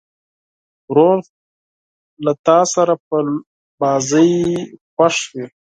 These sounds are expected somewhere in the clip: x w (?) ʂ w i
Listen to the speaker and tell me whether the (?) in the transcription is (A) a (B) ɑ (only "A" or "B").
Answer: A